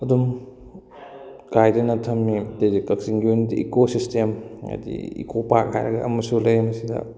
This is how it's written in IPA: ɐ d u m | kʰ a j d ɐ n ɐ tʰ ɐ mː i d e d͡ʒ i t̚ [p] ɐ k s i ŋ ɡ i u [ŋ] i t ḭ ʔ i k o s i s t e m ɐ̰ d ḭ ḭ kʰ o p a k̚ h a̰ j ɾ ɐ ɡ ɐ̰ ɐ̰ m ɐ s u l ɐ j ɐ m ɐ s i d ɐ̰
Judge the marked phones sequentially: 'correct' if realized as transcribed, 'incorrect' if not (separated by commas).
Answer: incorrect, incorrect